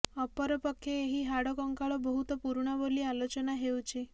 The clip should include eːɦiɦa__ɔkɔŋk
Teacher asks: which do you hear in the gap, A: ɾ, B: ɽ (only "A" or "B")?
B